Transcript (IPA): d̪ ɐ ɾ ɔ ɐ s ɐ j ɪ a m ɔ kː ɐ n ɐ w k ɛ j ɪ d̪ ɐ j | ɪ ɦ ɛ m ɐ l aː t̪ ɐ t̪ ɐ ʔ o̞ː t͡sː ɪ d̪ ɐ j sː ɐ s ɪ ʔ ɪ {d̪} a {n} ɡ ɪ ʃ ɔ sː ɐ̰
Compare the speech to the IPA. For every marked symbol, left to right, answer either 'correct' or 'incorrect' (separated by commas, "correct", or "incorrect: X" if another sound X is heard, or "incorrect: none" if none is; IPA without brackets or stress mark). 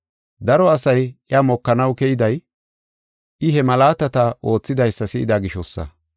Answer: correct, incorrect: none